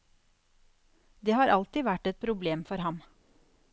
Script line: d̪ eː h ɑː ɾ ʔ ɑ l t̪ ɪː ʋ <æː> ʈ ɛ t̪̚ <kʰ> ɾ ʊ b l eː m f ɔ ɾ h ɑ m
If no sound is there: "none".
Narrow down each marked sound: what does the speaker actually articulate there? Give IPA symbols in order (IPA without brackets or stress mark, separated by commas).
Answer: æ, pʰ